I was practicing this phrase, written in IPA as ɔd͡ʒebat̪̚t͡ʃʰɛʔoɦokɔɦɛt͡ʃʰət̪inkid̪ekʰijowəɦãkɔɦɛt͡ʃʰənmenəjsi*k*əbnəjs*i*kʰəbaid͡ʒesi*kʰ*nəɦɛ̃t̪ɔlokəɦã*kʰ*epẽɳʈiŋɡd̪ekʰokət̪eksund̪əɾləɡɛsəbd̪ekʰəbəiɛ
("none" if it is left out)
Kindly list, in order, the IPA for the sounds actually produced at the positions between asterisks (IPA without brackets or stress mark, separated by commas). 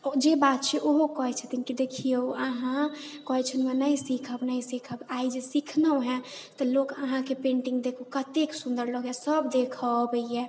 kʰ, i, kʰ, k